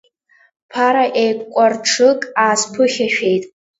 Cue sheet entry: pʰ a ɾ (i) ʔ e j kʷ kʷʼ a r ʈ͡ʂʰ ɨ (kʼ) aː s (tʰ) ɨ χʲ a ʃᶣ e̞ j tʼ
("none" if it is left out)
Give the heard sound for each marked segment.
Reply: a, kʼ, pʰ

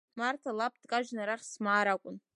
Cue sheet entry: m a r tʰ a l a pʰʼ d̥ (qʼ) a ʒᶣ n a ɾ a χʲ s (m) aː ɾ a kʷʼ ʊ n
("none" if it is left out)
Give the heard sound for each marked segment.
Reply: kʼ, m

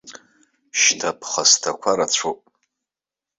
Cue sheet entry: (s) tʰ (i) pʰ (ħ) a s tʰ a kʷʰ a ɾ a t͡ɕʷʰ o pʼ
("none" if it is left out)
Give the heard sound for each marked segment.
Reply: ʃ, a, χ

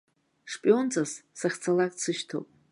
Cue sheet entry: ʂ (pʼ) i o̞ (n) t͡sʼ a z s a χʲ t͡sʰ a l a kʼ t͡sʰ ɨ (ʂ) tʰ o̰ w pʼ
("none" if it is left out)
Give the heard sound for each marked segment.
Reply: pʼ, n, ʃ

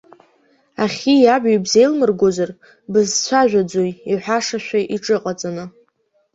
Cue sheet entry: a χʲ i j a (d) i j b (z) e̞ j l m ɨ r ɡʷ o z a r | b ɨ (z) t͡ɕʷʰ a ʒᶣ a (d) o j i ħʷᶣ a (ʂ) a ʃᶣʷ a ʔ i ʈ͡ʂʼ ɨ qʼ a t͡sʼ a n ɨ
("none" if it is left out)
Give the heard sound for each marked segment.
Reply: b, z, z, d͡z, ʂ

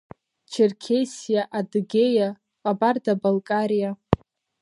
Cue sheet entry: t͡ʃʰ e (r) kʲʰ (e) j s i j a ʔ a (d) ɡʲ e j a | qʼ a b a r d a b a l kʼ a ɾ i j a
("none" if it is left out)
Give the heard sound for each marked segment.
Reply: r, e, d

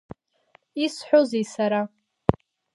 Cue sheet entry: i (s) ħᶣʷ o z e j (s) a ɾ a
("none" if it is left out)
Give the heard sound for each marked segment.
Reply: s, s

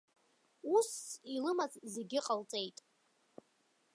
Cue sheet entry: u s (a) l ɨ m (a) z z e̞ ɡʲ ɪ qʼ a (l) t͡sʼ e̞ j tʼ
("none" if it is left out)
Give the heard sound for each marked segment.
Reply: i, a, l

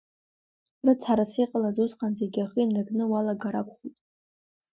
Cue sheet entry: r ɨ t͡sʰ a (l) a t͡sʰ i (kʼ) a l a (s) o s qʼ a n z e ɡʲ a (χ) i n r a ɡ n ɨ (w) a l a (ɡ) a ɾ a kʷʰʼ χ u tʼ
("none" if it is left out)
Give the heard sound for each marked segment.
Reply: ɾ, qʼ, z, χ, w, ɡ

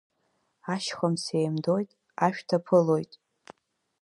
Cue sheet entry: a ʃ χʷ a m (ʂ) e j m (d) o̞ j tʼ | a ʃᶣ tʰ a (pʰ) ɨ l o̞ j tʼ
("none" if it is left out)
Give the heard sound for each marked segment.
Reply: s, d, pʰ

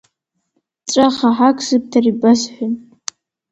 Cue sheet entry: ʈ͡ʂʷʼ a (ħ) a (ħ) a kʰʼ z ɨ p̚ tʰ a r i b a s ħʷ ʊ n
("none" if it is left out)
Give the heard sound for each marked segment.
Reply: χ, ħ

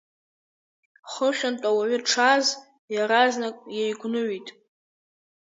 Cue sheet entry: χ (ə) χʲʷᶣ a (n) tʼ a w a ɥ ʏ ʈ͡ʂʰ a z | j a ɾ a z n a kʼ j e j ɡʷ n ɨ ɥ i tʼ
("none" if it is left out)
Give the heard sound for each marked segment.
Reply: ə, n

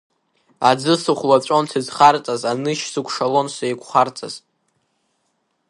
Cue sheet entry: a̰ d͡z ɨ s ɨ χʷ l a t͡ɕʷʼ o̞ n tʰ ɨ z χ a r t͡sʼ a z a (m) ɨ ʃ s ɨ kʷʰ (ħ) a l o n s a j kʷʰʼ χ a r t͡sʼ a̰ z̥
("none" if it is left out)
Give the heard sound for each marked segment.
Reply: n, ʂ

